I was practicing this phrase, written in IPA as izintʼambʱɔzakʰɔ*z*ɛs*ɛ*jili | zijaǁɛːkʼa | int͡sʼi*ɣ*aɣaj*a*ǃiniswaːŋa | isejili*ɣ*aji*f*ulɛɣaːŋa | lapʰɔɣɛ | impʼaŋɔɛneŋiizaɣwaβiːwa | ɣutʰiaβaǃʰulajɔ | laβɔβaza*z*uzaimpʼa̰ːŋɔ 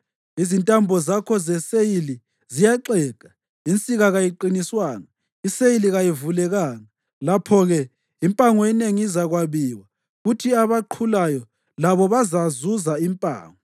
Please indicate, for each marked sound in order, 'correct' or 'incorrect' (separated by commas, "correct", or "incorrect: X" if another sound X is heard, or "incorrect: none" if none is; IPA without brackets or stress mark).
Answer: correct, incorrect: e, correct, incorrect: i, correct, incorrect: v, correct